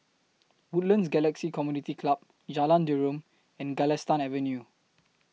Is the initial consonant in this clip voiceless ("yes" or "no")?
no